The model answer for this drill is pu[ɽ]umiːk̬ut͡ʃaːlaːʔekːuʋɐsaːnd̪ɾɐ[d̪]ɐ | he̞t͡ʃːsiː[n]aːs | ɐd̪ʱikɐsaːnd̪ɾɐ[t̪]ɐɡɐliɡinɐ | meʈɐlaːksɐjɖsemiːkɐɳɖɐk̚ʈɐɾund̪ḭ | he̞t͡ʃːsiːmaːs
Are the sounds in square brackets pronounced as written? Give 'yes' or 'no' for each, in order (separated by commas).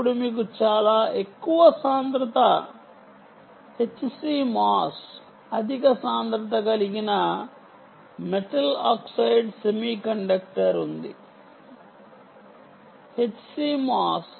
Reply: yes, no, no, yes